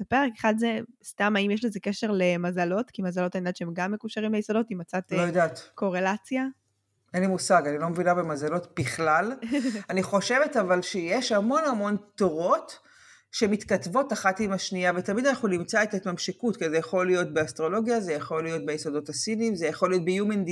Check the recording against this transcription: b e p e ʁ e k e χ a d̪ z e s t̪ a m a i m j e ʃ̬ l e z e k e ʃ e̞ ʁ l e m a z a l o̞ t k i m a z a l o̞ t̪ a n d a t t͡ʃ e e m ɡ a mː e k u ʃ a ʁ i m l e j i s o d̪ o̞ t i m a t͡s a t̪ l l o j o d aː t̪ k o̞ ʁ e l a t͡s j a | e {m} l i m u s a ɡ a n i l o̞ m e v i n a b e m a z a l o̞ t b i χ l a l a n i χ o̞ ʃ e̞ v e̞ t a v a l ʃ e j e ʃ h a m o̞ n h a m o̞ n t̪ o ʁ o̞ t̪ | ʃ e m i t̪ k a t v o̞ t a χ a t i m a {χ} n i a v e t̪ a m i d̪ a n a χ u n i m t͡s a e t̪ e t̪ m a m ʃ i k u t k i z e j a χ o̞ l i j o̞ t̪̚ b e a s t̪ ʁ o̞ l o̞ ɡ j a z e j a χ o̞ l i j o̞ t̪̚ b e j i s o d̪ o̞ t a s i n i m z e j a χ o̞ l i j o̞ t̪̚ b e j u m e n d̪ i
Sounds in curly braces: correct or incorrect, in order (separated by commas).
incorrect, incorrect